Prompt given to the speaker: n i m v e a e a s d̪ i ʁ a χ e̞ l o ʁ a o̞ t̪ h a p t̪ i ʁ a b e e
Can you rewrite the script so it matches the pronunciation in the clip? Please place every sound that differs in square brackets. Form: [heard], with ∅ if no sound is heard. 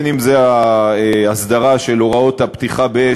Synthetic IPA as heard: n i m [z] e a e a s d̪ [a] ʁ a [ʃ] e̞ l o ʁ a o̞ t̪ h a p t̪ i [χ] a b e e